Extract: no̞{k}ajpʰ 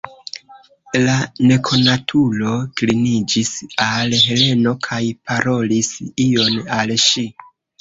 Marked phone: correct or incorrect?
incorrect